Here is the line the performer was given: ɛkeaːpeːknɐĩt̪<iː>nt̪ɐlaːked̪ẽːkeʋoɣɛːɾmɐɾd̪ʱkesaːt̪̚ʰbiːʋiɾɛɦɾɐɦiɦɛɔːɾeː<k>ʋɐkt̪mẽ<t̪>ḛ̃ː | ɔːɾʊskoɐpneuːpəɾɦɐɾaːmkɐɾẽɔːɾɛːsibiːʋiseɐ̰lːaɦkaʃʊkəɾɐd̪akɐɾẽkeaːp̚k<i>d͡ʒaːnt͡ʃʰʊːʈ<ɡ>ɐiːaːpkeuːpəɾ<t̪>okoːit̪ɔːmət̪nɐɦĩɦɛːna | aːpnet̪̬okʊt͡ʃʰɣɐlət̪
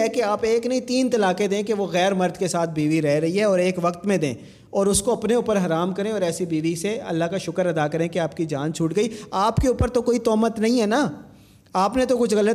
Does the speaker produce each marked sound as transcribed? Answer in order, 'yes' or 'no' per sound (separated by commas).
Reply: yes, yes, no, yes, yes, yes